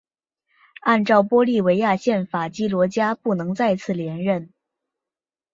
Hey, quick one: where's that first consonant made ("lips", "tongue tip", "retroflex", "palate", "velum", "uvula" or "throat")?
tongue tip